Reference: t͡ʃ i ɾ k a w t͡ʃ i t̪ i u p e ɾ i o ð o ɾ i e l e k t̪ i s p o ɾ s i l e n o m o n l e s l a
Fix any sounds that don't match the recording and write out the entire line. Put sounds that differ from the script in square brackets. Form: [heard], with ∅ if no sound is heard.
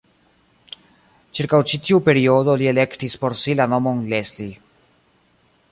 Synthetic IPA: t͡ʃ i ɾ k a w t͡ʃ i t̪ i u p e ɾ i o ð o [l] i e l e k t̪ i s p o ɾ s i l [a] n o m o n l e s l [i]